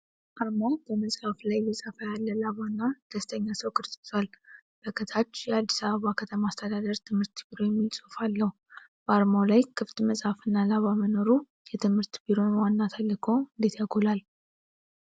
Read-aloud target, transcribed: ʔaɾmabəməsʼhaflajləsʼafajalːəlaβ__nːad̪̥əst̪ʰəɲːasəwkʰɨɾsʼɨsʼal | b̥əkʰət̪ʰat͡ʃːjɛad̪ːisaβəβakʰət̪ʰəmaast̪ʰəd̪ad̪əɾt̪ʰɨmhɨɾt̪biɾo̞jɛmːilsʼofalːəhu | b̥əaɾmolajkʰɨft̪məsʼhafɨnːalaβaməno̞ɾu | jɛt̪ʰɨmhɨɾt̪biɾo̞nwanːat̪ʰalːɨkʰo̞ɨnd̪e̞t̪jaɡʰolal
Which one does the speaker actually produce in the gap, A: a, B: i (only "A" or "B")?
A